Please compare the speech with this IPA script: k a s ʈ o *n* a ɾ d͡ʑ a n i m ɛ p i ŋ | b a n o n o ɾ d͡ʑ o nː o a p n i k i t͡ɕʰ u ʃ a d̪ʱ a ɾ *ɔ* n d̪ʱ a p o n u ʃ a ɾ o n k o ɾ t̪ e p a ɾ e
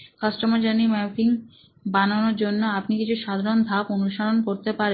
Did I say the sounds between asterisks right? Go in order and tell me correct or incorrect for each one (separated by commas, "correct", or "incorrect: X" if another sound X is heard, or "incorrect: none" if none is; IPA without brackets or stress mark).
incorrect: m, incorrect: o